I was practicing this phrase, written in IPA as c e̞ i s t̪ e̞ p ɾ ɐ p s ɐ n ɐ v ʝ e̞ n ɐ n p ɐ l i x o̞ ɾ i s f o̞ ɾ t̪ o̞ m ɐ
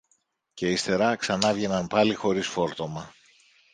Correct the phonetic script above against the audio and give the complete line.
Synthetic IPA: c e̞ i s t̪ e̞ ɾ ɐ k s ɐ n ɐ v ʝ e̞ n ɐ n p ɐ l i x o̞ ɾ i s f o̞ ɾ t̪ o̞ m ɐ